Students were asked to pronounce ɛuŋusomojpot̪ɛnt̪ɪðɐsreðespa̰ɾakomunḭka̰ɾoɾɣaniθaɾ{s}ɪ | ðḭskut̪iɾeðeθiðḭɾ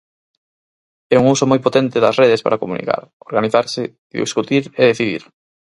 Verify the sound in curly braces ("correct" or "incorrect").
correct